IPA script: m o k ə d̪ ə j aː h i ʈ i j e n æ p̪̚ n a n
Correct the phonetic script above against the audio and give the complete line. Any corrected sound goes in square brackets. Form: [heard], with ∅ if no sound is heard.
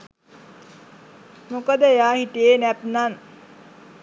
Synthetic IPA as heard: m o k ə d̪ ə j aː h i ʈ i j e n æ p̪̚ n a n

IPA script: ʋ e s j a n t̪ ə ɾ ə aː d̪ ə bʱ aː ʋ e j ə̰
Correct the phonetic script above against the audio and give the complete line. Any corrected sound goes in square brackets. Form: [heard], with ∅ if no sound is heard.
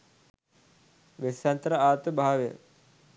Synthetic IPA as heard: ʋ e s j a n t̪ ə ɾ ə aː [t̪] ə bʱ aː ʋ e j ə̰

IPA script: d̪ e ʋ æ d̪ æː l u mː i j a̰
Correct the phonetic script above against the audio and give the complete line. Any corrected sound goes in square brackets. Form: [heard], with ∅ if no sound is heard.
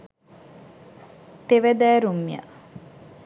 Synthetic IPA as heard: [t̪] e ʋ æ d̪ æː [ɾ] u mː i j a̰

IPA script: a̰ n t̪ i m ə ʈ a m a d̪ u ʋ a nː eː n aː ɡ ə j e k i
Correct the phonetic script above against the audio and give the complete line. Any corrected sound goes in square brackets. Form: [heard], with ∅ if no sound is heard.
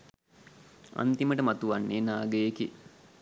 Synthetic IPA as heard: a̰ n t̪ i m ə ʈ [ə] m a [t̪] u ʋ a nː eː n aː ɡ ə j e k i

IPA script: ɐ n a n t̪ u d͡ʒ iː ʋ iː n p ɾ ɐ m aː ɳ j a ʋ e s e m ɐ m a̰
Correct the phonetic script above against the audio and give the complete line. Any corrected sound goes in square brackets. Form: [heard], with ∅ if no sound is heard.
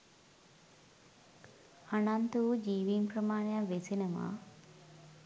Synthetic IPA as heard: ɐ n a n t̪ u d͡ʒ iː ʋ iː [m] p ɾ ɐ m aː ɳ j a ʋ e s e [n] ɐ m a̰

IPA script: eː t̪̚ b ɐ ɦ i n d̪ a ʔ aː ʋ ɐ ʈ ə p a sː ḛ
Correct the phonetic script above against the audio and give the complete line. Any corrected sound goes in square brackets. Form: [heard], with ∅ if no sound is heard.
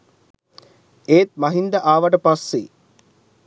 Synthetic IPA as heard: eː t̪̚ [m] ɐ ɦ i n d̪ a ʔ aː ʋ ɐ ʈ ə p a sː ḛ

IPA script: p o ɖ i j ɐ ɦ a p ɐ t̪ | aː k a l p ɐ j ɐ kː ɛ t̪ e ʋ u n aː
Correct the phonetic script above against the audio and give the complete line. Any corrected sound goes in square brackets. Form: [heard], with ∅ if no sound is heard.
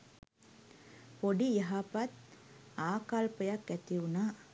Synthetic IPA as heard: p o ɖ i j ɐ ɦ a p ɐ t̪ | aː k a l p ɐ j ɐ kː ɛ t̪ [i] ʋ u n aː

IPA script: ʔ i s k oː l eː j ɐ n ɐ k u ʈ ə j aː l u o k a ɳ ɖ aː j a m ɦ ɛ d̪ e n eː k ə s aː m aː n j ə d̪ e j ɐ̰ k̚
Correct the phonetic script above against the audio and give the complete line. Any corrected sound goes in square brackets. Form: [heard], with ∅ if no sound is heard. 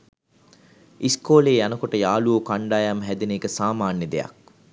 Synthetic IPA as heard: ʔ i s k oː l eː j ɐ n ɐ k [o] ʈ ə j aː l u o k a ɳ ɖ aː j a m ɦ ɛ d̪ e n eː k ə s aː m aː n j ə d̪ e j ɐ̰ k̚

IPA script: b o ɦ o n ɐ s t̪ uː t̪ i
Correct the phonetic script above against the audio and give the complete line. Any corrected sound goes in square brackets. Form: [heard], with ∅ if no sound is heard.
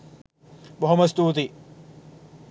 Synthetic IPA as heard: b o ɦ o [m] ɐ s t̪ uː t̪ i

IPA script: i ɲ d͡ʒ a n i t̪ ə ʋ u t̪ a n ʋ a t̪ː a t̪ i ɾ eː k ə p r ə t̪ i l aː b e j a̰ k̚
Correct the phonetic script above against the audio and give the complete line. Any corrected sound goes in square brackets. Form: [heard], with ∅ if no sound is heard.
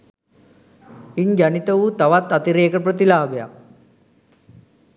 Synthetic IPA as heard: i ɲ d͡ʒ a n i t̪ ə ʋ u t̪ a [∅] ʋ a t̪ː a t̪ i ɾ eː k ə p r ə t̪ i l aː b e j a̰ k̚

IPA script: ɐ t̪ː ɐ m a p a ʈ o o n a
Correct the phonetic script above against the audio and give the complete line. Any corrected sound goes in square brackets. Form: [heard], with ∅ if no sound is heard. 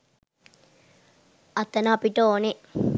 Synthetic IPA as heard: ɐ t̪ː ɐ [n] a p [i] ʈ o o n [i]

